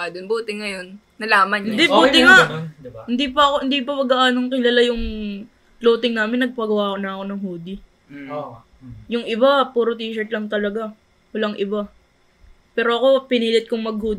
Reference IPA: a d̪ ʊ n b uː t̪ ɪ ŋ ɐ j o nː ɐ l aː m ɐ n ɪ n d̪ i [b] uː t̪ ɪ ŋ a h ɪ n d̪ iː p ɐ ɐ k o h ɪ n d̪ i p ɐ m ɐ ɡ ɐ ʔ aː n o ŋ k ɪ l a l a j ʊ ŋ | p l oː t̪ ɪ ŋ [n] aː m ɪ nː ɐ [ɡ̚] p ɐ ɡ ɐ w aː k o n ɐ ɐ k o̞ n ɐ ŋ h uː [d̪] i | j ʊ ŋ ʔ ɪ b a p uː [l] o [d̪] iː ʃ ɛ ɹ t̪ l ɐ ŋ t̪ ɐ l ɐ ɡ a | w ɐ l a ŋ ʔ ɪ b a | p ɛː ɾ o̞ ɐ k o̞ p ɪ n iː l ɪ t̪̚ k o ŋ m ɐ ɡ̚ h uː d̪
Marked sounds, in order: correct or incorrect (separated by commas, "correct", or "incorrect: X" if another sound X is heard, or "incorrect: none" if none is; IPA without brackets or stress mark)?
correct, correct, correct, correct, incorrect: ɾ, incorrect: t̪